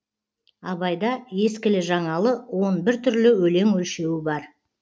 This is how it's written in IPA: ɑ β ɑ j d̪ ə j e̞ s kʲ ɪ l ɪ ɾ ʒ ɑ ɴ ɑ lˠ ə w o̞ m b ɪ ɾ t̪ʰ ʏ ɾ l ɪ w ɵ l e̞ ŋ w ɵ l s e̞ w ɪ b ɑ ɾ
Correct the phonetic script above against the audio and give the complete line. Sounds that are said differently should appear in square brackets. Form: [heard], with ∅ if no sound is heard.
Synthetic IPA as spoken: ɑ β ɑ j d̪ [ɑ] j e̞ s kʲ ɪ l ɪ [∅] ʒ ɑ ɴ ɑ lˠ ə w o̞ [n] b ɪ ɾ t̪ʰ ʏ ɾ l ɪ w ɵ l e̞ ŋ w ɵ l [ʃ] e̞ w ɪ b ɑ ɾ